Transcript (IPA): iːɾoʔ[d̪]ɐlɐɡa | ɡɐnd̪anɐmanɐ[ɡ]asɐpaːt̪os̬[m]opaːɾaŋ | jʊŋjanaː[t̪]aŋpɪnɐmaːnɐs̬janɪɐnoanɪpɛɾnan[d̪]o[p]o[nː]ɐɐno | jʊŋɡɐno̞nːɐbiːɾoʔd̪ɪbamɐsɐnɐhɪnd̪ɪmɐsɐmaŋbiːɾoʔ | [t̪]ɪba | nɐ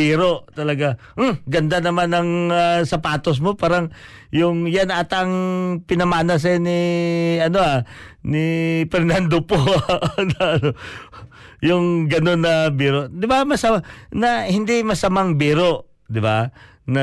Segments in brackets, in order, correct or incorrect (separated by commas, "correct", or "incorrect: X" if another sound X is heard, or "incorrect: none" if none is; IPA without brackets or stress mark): incorrect: t̪, incorrect: ŋ, correct, correct, correct, correct, incorrect: n, incorrect: d̪